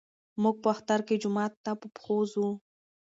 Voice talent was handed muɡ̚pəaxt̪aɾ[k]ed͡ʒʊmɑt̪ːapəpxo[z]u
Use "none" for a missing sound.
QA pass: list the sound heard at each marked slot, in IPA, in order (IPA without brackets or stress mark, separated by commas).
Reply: k, z